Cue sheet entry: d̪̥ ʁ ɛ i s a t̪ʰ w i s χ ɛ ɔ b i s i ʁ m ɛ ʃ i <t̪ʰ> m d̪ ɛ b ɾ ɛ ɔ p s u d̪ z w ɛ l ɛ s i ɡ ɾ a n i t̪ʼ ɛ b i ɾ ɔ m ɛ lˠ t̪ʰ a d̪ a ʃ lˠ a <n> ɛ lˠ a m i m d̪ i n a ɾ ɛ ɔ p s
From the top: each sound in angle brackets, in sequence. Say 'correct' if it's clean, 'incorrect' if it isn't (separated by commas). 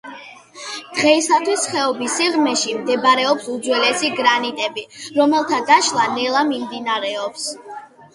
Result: incorrect, correct